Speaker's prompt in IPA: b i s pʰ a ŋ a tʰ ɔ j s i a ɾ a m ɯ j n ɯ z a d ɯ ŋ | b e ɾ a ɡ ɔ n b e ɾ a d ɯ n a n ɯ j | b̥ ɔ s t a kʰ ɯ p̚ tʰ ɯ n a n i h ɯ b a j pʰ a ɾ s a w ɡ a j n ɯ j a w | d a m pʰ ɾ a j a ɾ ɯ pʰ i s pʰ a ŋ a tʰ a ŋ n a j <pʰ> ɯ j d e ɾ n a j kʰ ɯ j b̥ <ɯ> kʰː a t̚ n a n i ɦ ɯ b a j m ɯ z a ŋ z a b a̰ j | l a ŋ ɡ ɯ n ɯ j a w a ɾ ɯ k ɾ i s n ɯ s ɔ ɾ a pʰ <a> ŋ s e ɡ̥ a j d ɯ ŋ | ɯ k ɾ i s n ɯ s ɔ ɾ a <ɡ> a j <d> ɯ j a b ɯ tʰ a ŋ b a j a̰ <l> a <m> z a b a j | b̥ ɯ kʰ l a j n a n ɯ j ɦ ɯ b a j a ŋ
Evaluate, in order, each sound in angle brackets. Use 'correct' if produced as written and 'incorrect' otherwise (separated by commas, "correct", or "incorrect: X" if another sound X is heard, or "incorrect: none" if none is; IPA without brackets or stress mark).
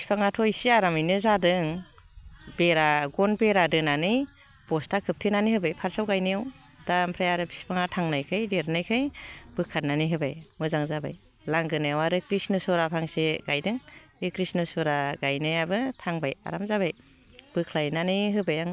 incorrect: kʰ, correct, correct, correct, incorrect: n, incorrect: ɾ, correct